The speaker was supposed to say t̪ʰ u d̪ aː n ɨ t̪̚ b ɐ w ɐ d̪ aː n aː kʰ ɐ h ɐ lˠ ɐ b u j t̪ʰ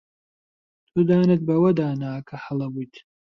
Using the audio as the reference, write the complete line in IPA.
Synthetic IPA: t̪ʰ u d̪ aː n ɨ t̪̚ b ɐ w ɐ d̪ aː n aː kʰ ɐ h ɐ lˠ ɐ b u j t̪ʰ